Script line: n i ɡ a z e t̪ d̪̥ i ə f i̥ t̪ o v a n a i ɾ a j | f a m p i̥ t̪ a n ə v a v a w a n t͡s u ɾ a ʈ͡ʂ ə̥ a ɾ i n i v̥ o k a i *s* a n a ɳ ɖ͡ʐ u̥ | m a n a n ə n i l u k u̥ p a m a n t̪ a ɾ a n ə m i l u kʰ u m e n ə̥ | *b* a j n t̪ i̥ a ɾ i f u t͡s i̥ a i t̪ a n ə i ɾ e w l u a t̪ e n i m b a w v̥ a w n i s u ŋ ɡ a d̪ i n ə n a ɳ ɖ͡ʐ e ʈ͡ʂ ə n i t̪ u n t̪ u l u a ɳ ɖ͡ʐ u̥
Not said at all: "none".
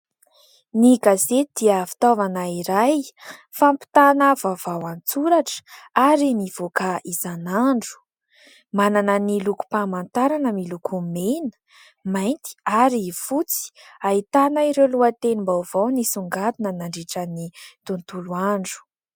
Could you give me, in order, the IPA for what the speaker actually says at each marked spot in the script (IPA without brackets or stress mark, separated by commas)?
z, m